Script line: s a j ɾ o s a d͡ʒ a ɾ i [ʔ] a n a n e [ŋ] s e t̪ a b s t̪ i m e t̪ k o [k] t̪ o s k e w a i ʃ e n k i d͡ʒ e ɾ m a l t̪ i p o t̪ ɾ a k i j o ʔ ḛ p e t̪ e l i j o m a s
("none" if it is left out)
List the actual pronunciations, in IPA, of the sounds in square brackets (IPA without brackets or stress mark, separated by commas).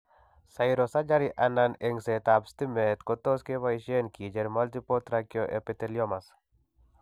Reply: ʔ, ŋ, none